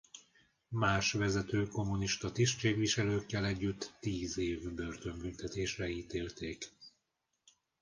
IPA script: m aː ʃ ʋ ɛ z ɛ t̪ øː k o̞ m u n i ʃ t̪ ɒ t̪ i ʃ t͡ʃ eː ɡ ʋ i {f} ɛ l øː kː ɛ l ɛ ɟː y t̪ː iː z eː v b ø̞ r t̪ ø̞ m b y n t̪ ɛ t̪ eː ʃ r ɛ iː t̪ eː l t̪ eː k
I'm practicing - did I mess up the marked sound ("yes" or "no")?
yes